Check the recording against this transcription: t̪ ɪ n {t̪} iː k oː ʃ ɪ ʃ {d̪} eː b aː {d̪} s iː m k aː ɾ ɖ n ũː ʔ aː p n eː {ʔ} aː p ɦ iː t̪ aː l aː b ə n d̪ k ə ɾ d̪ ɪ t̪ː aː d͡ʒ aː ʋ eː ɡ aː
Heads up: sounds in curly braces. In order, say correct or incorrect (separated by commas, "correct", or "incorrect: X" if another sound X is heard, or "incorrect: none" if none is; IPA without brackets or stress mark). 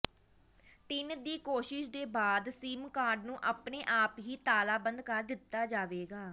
incorrect: d̪, correct, correct, correct